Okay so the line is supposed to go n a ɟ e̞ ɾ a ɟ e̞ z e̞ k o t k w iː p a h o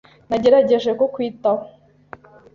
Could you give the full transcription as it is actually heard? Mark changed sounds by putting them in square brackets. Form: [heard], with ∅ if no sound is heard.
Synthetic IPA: n a ɟ e̞ ɾ a ɟ e̞ [ʒ] e̞ k o [∅] k w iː [t] a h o

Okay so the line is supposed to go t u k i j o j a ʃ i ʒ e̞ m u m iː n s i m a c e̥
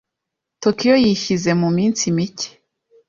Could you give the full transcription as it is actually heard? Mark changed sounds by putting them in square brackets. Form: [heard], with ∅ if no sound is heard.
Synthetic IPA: t [o] k i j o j [i] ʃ i [z] e̞ m u m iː n s i m [i] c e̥

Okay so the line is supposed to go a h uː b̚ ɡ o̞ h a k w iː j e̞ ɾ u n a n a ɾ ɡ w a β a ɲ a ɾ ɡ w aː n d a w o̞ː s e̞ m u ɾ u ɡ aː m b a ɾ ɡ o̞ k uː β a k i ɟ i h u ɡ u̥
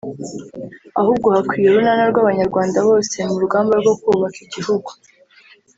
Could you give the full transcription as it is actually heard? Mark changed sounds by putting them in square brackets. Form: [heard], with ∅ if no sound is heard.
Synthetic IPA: a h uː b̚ ɡ o̞ h a k w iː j e̞ ɾ u n a n a ɾ ɡ w a β a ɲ a ɾ ɡ w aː n d a [β] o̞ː s e̞ m u ɾ u ɡ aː m b a ɾ ɡ o̞ k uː β a k i ɟ i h u ɡ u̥

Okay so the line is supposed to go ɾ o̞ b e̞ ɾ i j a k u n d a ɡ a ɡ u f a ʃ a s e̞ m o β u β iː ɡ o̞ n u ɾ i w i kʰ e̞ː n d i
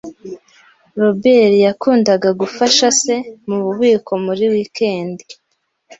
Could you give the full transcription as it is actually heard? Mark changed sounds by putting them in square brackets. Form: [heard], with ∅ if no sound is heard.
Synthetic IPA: ɾ o̞ b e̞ ɾ i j a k [uː] n d a ɡ a ɡ u f a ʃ a s e̞ m [u] β u β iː [k] o̞ [m] u ɾ i w i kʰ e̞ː n d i

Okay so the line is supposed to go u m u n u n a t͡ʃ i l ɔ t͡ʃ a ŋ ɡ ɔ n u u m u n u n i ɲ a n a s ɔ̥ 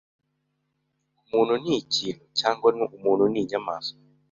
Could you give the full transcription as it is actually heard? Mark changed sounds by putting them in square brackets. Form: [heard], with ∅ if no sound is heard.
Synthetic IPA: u m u n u n [i] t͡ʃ i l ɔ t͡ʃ a ŋ ɡ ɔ n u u m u n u n i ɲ a [m] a s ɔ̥

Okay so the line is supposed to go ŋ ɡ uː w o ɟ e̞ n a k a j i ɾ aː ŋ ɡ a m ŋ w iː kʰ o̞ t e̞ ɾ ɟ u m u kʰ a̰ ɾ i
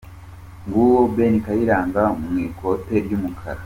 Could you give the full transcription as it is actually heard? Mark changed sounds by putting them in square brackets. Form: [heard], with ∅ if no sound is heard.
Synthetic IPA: ŋ ɡ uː w o [b] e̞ n [i] k a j i ɾ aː ŋ ɡ a m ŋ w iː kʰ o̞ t e̞ ɾ ɟ u m u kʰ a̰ ɾ [a]

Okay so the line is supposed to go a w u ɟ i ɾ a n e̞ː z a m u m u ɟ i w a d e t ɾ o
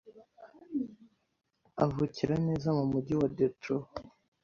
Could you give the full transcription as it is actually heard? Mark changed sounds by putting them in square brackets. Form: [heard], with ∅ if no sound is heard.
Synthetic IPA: a [v] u [c] i ɾ a n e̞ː z a m u m u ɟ i w a d e t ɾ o

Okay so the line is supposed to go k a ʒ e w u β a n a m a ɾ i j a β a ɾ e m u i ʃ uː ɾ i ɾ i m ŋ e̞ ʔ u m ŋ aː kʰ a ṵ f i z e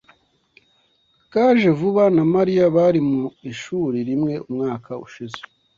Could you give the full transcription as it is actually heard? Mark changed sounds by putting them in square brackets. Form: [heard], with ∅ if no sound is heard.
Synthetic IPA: k a ʒ e [v] u β a n a m a ɾ i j a β a ɾ [i] m u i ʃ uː ɾ i ɾ i m ŋ e̞ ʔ u m ŋ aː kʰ a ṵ [ʃ] i z e

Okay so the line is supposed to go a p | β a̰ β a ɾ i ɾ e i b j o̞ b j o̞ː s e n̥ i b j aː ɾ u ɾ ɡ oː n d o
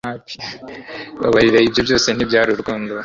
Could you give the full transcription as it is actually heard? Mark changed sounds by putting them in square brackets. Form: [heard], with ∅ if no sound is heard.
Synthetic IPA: a p | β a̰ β a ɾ i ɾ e i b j o̞ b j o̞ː s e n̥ i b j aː ɾ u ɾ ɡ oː n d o

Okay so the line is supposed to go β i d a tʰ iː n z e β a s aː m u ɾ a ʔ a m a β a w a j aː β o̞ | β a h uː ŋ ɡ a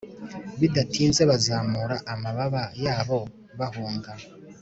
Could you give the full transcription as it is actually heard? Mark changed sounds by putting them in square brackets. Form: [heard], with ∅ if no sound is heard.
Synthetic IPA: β i d a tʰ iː n z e β a [z] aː m u ɾ a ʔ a m a β a [β] a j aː β o̞ | β a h uː ŋ ɡ a

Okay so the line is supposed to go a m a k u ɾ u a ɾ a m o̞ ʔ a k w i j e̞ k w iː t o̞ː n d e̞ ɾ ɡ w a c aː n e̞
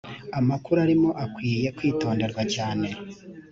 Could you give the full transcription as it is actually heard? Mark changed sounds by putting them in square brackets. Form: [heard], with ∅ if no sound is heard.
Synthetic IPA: a m a k u ɾ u a ɾ [i] m o̞ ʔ a k w [iː] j e̞ k w iː t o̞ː n d e̞ ɾ ɡ w a c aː n e̞

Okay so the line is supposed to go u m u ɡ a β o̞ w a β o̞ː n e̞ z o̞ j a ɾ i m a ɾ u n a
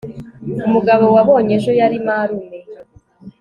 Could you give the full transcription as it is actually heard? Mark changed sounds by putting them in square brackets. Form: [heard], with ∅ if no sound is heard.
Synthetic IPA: u m u ɡ a β o̞ w a β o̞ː [ɲ] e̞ [ʒ] o̞ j a ɾ i m a ɾ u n [e]

